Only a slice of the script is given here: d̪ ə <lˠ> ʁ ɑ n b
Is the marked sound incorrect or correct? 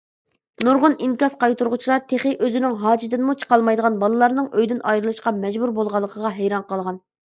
incorrect